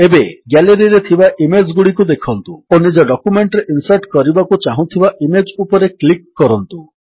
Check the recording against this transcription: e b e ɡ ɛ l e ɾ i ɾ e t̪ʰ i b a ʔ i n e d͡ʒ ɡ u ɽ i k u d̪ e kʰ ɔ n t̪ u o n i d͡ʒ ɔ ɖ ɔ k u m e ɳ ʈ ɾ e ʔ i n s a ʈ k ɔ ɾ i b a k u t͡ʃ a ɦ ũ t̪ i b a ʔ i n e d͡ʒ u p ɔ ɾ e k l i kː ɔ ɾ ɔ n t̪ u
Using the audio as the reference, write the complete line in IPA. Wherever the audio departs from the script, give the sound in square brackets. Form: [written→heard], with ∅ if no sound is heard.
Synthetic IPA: e b e ɡ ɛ l e ɾ i ɾ e t̪ʰ i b a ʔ i [n→m] e d͡ʒ ɡ u ɽ i k u d̪ e kʰ ɔ n t̪ u o n i d͡ʒ ɔ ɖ ɔ k u m e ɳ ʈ ɾ e ʔ i n s a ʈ k ɔ ɾ i b a k u t͡ʃ a ɦ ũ [t̪→t̪ʰ] i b a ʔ i [n→m] e d͡ʒ u p ɔ ɾ e k l i kː ɔ ɾ ɔ n t̪ u